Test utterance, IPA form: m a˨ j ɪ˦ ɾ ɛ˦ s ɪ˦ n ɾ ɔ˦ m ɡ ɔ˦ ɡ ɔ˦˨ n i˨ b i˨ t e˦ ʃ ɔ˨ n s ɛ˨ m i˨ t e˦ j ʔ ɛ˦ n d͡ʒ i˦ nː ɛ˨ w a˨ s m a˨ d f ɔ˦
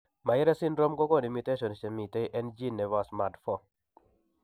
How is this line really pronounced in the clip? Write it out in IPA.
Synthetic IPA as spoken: m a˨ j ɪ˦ ɾ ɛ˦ s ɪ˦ n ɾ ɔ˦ m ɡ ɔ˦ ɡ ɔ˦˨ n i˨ m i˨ t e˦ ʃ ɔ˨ n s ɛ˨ m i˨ t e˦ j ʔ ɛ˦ n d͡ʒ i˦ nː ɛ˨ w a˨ s m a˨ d f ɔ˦